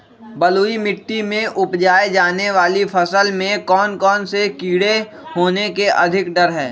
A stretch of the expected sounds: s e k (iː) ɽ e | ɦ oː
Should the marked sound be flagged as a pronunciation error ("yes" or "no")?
no